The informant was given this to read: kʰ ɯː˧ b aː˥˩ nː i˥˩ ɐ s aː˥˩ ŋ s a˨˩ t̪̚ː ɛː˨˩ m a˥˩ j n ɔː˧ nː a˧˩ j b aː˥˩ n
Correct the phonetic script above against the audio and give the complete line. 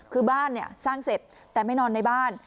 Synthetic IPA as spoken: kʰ ɯː˧ b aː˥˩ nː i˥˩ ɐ s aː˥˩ ŋ s e˨˩ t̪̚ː ɛː˨˩ m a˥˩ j n ɔː˧ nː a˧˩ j b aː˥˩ n